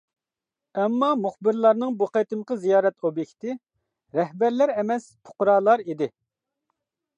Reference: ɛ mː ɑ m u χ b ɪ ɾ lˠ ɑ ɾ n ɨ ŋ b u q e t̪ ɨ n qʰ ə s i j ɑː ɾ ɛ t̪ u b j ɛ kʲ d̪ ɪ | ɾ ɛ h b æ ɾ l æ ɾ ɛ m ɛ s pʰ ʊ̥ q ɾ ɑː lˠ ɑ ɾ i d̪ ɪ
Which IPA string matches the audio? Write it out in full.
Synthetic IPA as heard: ɛ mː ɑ m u χ b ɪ ɾ lˠ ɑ ɾ n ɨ ŋ b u q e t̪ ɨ m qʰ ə z i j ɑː ɾ ɛ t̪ o b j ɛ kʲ t̪ ɪ | ɾ ɛ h b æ ɾ l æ ɾ ɛ m ɛ s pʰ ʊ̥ q ɾ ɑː lˠ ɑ ɾ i d̪ ɪ